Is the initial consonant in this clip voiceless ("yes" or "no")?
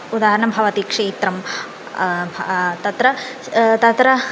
no